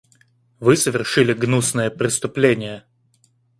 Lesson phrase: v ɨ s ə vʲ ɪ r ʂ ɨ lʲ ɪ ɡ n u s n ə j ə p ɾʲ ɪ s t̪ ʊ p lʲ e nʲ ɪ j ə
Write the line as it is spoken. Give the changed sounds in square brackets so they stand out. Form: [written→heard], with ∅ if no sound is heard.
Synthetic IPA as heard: v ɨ s ə vʲ ɪ r ʂ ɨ lʲ ɪ ɡ n u s n ə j ə p ɾʲ ɪ s t̪ ʊ p lʲ e nʲ ɪ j ə